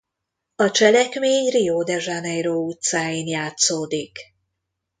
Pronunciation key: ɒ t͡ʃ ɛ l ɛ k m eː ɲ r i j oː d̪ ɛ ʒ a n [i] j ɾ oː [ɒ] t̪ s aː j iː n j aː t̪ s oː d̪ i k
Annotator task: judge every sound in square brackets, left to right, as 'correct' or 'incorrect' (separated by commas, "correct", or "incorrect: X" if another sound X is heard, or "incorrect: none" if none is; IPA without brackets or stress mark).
incorrect: ɛ, incorrect: u